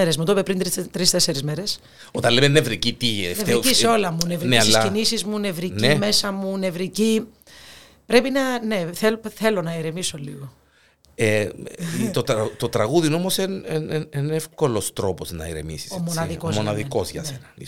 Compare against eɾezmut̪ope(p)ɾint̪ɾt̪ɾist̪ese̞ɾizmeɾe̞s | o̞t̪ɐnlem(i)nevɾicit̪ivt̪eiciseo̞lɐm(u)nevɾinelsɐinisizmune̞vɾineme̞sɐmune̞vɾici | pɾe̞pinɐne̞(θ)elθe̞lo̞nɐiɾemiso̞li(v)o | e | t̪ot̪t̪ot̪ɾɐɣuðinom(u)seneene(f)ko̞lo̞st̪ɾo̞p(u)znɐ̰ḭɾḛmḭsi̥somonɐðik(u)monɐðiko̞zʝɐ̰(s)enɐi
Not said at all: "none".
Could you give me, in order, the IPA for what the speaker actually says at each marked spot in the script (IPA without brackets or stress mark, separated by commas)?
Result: p, e, u, θ, ɣ, o, f, o, o, s